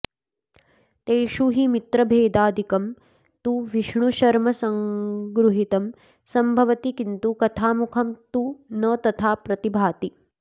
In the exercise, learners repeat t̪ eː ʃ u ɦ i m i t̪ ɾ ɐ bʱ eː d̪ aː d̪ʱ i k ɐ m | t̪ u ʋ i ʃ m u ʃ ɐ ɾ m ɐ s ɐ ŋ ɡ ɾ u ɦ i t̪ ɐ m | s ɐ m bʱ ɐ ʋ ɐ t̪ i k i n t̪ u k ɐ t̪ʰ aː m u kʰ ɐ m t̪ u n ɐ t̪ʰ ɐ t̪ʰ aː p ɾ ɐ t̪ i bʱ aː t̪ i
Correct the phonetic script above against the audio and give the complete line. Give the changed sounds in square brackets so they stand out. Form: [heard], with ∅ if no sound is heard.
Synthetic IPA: t̪ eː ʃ u ɦ i m i t̪ ɾ ɐ bʱ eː d̪ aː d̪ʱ i k ɐ m | t̪ u ʋ i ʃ [ɳ] u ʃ ɐ ɾ m ɐ s ɐ ŋ ɡ ɾ u ɦ i t̪ ɐ m | s ɐ m bʱ ɐ ʋ ɐ t̪ i k i n t̪ u k ɐ t̪ʰ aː m u kʰ ɐ m t̪ u n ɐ [t̪] ɐ t̪ʰ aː p ɾ ɐ t̪ i bʱ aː t̪ i

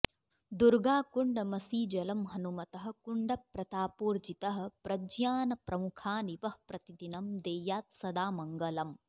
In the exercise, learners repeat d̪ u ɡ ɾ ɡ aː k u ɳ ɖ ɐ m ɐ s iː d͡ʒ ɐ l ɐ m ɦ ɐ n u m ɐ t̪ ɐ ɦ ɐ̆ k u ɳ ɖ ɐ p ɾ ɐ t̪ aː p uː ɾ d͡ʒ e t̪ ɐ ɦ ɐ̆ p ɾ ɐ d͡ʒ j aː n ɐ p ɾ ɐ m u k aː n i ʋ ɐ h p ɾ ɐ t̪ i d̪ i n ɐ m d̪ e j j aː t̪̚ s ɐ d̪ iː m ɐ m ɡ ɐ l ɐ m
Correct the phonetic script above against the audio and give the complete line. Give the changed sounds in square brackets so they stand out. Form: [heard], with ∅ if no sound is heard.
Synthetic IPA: d̪ u [∅] ɾ ɡ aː k u ɳ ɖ ɐ m ɐ s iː d͡ʒ ɐ l ɐ m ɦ ɐ n u m ɐ t̪ ɐ ɦ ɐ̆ k u ɳ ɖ ɐ p ɾ ɐ t̪ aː p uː ɾ d͡ʒ [i] t̪ ɐ ɦ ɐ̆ p ɾ ɐ d͡ʒ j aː n ɐ p ɾ ɐ m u [kʰ] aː n i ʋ ɐ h p ɾ ɐ t̪ i d̪ i n ɐ m d̪ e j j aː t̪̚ s ɐ d̪ [aː] m ɐ [ŋ] ɡ ɐ l ɐ m

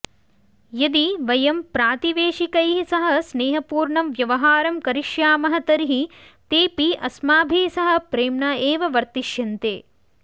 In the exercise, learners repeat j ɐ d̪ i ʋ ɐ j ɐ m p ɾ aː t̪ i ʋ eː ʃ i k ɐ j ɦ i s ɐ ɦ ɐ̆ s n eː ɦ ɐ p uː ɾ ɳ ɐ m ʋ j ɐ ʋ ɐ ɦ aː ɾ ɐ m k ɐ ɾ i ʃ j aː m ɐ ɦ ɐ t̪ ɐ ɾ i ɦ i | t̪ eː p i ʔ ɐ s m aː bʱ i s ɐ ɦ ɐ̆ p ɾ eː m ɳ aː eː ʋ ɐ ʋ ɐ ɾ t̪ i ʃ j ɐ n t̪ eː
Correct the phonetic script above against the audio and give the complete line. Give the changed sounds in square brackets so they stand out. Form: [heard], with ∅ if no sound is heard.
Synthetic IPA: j ɐ d̪ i ʋ ɐ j ɐ m p ɾ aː t̪ i ʋ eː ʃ i k ɐ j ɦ i s ɐ ɦ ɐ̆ s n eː ɦ ɐ p uː ɾ ɳ ɐ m ʋ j ɐ ʋ ɐ ɦ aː ɾ ɐ m k ɐ ɾ i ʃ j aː m ɐ ɦ ɐ t̪ ɐ ɾ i ɦ i | t̪ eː p i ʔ ɐ s m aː bʱ i s ɐ ɦ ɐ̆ p ɾ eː m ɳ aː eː ʋ ɐ ʋ ɐ ɾ t̪ i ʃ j ɐ n t̪ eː

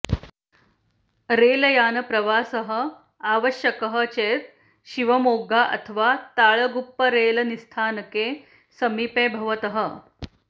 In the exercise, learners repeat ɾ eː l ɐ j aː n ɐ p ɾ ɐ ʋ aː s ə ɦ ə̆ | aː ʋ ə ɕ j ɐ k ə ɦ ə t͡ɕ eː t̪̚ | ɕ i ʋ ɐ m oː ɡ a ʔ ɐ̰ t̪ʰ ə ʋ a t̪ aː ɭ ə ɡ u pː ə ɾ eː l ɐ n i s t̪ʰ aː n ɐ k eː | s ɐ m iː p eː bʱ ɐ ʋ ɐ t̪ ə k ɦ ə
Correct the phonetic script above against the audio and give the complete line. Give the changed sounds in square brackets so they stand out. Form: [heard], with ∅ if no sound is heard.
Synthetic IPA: ɾ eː l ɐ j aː n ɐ p ɾ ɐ ʋ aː s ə ɦ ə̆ | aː ʋ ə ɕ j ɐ k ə ɦ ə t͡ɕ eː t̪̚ | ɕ i ʋ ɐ m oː ɡ a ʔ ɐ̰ t̪ʰ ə ʋ a t̪ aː ɭ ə ɡ u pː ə ɾ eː l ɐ n i s t̪ʰ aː n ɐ k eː | s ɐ m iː p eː bʱ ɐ ʋ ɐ t̪ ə [∅] ɦ ə

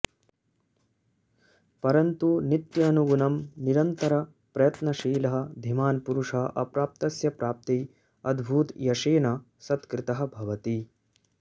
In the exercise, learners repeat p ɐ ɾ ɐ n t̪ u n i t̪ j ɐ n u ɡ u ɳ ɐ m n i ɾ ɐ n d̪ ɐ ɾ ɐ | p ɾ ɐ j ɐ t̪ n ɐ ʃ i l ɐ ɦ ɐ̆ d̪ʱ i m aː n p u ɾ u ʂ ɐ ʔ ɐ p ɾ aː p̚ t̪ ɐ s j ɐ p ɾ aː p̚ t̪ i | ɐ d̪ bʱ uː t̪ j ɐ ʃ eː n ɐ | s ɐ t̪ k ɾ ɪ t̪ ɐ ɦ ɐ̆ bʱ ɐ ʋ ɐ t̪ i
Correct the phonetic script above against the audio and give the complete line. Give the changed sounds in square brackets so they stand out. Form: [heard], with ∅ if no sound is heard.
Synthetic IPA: p ɐ ɾ ɐ n t̪ u n i t̪ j ɐ n u ɡ u [n] ɐ m n i ɾ ɐ n [t̪] ɐ ɾ ɐ | p ɾ ɐ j ɐ t̪ n ɐ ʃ [iː] l ɐ ɦ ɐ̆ d̪ʱ i m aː n p u ɾ u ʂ ɐ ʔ ɐ p ɾ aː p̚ t̪ ɐ s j ɐ p ɾ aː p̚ t̪ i | ɐ d̪ bʱ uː t̪ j ɐ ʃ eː n ɐ | s ɐ t̪ k ɾ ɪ t̪ ɐ ɦ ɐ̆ bʱ ɐ ʋ ɐ t̪ i

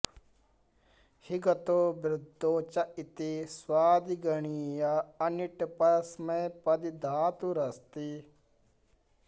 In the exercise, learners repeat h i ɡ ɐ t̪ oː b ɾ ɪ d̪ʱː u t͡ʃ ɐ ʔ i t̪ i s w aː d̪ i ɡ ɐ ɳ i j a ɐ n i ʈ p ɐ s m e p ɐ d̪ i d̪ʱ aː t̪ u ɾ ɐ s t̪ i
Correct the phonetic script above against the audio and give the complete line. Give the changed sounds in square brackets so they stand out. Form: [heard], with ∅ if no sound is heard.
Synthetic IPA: h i ɡ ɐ t̪ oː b ɾ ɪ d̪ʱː [o] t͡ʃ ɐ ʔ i t̪ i s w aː d̪ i ɡ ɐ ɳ i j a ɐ n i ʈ p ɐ s m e p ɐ d̪ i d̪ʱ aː t̪ u ɾ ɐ s t̪ i

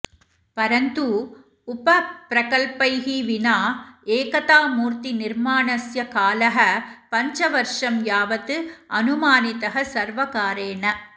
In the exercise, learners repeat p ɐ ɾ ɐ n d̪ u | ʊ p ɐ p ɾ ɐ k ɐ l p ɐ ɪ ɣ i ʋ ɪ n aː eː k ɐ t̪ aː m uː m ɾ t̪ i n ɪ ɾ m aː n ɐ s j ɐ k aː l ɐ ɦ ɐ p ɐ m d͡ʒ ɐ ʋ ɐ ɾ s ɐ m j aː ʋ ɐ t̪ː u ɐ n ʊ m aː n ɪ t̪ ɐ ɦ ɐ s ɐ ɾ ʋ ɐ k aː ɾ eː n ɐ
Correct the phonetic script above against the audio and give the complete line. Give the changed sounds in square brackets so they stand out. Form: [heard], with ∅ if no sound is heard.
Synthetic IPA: p ɐ ɾ ɐ n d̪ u | ʊ p ɐ p ɾ ɐ k ɐ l p ɐ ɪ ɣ i ʋ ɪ n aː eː k ɐ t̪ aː m uː [∅] ɾ t̪ i n ɪ ɾ m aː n ɐ s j ɐ k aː l ɐ ɦ ɐ p ɐ [ɲ] d͡ʒ ɐ ʋ ɐ ɾ [ʂ] ɐ m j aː ʋ ɐ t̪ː [ɯ] ɐ n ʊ m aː n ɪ t̪ ɐ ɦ ɐ s ɐ ɾ ʋ ɐ k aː ɾ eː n ɐ

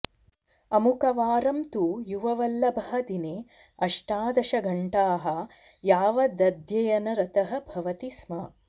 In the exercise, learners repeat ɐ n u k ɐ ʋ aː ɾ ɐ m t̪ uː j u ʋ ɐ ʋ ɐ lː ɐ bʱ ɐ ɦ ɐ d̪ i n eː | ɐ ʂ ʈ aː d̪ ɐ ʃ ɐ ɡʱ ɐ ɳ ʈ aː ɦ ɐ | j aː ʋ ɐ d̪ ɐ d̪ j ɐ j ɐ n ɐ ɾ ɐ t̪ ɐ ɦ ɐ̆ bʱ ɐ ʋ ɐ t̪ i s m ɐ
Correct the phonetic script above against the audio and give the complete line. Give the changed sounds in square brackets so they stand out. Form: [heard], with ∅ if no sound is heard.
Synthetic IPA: ɐ [m] u k ɐ ʋ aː ɾ ɐ m t̪ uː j u ʋ ɐ ʋ ɐ lː ɐ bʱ ɐ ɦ ɐ d̪ i n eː | ɐ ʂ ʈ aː d̪ ɐ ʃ ɐ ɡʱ ɐ ɳ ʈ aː ɦ ɐ | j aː ʋ ɐ d̪ ɐ d̪ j ɐ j ɐ n ɐ ɾ ɐ t̪ ɐ ɦ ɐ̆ bʱ ɐ ʋ ɐ t̪ i s m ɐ

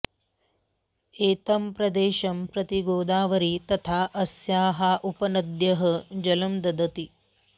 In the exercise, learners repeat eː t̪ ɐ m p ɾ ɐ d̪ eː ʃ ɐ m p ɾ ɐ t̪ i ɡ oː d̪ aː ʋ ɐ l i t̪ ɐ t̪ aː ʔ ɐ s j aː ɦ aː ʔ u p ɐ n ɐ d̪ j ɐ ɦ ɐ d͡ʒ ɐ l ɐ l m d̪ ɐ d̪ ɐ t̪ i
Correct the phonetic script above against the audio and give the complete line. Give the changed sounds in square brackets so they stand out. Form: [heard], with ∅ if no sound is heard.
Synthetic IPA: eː t̪ ɐ m p ɾ ɐ d̪ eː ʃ ɐ m p ɾ ɐ t̪ i ɡ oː d̪ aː ʋ ɐ [ɾ] i t̪ ɐ [t̪ʰ] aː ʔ ɐ s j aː ɦ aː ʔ u p ɐ n ɐ d̪ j ɐ ɦ ɐ d͡ʒ ɐ l ɐ [∅] m d̪ ɐ d̪ ɐ t̪ i

